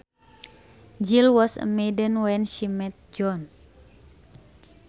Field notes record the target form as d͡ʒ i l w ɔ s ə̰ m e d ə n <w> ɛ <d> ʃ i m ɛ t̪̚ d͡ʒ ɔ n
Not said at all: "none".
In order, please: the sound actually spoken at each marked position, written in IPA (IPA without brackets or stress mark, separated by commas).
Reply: w, n